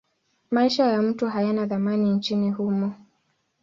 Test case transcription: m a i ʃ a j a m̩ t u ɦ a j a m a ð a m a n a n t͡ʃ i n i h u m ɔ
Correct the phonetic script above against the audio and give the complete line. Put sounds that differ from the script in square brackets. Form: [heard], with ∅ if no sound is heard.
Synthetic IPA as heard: m a i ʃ a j a m̩ t u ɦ a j a [n] a ð a m a n [i] n t͡ʃ i n i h u m ɔ